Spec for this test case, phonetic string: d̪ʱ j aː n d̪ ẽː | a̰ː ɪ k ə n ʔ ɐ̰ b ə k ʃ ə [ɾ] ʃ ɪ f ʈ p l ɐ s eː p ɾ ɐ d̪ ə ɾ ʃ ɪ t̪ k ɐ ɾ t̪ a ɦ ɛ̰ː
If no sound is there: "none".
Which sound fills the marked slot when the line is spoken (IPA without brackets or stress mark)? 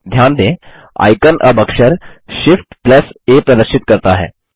ɾ